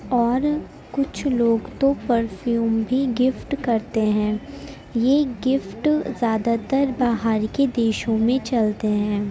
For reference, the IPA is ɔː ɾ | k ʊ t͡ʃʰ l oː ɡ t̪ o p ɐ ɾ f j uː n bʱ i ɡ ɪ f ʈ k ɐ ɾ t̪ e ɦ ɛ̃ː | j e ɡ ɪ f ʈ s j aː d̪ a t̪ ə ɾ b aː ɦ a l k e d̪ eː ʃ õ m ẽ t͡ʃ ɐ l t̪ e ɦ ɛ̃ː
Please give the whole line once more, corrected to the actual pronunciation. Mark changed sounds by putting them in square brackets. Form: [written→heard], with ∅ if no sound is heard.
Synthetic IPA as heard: ɔː ɾ | k ʊ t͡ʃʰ l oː ɡ t̪ o p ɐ ɾ f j uː [n→m] bʱ i ɡ ɪ f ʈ k ɐ ɾ t̪ e ɦ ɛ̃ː | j e ɡ ɪ f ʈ [s→z] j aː d̪ a t̪ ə ɾ b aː ɦ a [l→ɾ] k e d̪ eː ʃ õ m ẽ t͡ʃ ɐ l t̪ e ɦ ɛ̃ː